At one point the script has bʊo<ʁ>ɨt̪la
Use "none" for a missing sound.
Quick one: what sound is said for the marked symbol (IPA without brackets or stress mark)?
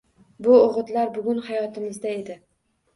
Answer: ʁ